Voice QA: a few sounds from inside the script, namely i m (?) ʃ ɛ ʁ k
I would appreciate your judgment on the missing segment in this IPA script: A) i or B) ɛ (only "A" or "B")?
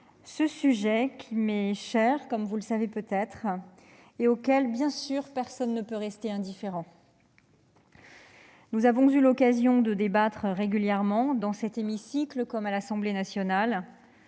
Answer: B